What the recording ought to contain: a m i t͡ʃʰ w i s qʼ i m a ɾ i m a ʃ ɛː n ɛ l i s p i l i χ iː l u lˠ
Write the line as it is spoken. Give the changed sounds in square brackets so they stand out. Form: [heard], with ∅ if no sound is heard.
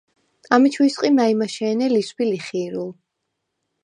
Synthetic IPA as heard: a m i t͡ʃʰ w i s qʼ i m a [∅] i m a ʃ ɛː n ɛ l i s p i l i χ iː [ɾ] u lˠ